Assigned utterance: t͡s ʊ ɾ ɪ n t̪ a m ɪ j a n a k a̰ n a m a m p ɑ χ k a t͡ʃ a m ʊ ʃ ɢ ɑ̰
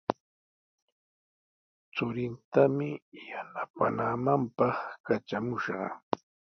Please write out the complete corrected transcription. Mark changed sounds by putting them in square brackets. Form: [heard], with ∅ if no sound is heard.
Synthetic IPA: t͡s ʊ ɾ ɪ n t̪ a m ɪ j a n a [p] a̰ n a m a m p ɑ χ k a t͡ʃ a m ʊ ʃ ɢ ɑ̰